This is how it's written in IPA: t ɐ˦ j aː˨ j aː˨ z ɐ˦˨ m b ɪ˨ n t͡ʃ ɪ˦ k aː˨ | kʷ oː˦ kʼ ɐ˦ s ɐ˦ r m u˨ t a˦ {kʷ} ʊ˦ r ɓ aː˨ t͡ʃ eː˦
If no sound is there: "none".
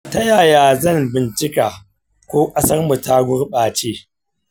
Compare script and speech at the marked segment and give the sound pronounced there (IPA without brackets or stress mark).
ɡʷ